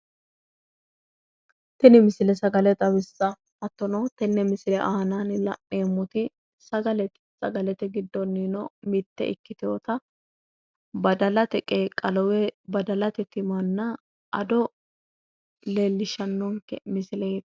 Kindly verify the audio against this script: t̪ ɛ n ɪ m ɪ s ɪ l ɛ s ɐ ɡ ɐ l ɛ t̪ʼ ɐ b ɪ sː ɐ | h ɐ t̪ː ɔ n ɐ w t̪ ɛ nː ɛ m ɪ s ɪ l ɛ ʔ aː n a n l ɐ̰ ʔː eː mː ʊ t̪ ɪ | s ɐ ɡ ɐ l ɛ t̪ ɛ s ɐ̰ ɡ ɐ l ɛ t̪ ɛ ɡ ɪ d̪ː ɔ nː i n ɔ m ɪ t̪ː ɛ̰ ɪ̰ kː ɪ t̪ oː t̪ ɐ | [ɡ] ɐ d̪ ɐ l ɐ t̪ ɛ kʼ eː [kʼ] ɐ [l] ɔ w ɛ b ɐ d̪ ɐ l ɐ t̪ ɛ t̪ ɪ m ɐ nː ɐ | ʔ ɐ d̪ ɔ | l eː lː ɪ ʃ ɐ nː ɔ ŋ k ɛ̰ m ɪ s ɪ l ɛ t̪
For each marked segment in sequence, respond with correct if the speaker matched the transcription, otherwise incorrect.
incorrect: b, correct, correct

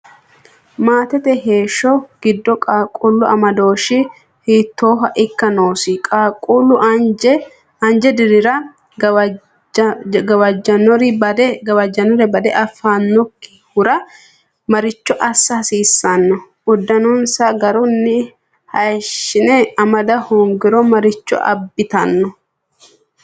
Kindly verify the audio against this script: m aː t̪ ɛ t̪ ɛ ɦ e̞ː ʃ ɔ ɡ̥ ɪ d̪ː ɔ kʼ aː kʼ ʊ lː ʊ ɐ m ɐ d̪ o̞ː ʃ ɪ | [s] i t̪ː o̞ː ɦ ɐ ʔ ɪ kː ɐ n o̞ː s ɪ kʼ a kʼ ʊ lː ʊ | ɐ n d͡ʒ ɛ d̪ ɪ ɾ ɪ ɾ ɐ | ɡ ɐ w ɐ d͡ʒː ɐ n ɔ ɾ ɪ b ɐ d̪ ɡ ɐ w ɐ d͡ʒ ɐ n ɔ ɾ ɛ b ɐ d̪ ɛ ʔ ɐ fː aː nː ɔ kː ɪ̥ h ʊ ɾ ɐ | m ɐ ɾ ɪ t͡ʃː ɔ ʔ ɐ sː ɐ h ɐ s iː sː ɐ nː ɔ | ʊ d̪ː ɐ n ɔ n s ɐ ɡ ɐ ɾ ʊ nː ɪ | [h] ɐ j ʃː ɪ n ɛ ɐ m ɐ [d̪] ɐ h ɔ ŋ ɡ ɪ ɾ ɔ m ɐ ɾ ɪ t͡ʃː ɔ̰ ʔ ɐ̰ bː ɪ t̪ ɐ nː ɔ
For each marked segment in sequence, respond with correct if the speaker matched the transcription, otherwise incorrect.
incorrect: h, correct, correct

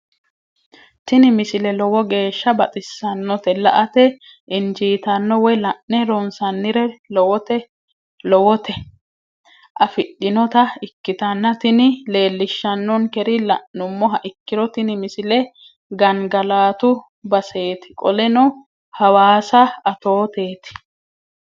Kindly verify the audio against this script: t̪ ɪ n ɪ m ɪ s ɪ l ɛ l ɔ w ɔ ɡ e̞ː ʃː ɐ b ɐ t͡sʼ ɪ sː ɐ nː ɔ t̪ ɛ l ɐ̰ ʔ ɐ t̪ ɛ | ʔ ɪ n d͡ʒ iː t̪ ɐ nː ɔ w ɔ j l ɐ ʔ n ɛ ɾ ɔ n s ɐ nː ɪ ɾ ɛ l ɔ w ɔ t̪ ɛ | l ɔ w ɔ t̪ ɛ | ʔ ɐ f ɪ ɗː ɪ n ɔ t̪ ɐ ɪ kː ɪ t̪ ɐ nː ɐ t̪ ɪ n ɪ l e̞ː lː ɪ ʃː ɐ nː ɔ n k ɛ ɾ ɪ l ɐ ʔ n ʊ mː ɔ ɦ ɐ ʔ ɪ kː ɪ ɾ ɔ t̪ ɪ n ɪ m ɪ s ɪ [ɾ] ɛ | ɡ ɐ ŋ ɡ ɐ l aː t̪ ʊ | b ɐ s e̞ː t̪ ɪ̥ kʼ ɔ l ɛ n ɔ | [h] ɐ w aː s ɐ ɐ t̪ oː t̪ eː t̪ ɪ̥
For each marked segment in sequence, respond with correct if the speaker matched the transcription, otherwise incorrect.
incorrect: l, correct

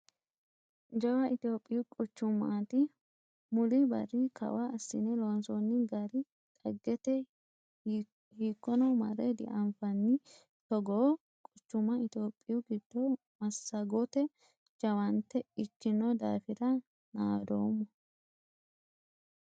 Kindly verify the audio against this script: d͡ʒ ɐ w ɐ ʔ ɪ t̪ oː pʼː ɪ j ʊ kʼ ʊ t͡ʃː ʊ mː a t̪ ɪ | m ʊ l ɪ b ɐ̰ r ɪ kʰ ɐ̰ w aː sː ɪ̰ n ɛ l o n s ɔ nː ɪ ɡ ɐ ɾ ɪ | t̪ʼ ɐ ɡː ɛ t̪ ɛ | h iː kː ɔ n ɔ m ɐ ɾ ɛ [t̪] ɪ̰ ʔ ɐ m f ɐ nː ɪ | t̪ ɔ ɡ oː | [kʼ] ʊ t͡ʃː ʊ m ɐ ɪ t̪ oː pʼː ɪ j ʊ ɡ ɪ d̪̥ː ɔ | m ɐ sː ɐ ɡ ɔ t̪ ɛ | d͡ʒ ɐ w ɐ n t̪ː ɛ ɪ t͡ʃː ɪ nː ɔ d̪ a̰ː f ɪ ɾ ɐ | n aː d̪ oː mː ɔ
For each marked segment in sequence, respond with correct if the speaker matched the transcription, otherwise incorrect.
incorrect: d̪, correct

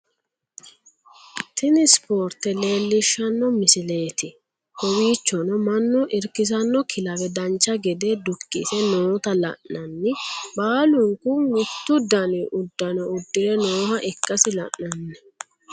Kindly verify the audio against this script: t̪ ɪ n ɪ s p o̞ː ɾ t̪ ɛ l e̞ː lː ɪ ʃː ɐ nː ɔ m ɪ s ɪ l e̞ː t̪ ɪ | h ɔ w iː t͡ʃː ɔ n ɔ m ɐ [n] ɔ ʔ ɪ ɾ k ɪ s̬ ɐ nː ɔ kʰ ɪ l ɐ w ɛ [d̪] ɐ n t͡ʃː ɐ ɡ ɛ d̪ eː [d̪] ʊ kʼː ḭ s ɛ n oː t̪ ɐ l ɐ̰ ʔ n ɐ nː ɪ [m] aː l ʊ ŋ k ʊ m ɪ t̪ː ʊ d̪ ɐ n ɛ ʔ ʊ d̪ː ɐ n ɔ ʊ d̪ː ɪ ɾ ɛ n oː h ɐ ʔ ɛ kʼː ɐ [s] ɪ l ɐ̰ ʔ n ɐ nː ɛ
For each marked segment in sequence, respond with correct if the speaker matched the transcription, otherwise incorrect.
incorrect: nː, correct, correct, incorrect: b, correct

